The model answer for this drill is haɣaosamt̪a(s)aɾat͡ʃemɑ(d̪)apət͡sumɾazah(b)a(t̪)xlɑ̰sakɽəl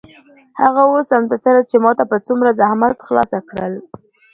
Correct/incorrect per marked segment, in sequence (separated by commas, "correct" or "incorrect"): correct, incorrect, incorrect, correct